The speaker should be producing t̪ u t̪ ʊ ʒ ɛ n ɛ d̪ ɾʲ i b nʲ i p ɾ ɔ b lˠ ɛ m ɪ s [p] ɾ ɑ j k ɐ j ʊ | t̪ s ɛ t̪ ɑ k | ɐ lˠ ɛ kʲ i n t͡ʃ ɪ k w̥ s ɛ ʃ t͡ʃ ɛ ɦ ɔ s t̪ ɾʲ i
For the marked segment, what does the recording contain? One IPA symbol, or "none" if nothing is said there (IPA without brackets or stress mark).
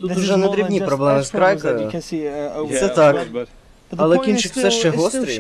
k